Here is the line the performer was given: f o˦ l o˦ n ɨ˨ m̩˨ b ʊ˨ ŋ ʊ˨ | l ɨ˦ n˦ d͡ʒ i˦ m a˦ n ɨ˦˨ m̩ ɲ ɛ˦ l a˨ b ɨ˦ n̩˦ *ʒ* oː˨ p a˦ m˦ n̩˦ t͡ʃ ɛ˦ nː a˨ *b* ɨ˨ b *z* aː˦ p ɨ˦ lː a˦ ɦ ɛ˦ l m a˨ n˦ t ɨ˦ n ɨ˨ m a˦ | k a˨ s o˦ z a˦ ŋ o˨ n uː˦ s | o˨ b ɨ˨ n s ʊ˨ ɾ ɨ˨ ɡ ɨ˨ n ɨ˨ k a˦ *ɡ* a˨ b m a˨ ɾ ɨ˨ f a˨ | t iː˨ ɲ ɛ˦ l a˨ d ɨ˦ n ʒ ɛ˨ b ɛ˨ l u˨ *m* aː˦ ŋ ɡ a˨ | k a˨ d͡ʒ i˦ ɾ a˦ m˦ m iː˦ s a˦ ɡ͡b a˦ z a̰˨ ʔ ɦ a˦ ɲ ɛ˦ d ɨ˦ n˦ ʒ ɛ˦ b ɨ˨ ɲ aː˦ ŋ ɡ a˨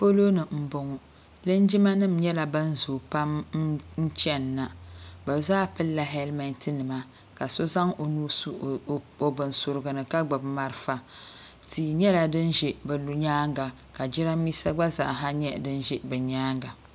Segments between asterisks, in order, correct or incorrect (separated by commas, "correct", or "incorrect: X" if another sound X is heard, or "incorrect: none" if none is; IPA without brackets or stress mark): incorrect: z, correct, correct, incorrect: ɡ͡b, incorrect: ɲ